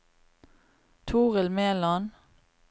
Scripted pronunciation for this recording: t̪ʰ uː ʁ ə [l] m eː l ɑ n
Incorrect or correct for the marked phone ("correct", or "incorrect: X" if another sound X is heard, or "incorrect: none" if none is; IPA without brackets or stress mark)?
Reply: correct